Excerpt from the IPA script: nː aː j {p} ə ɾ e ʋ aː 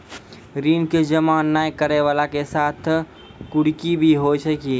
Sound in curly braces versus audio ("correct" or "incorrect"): incorrect